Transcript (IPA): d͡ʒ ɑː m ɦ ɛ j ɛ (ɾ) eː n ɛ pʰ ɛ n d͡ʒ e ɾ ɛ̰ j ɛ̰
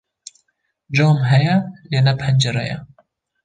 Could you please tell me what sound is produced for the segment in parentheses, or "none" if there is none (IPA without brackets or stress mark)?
l